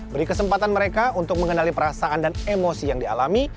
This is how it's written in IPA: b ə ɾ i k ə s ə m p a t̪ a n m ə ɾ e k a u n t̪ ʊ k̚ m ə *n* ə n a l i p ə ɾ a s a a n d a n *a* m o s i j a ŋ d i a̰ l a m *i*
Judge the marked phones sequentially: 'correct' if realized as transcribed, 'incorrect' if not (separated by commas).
incorrect, incorrect, correct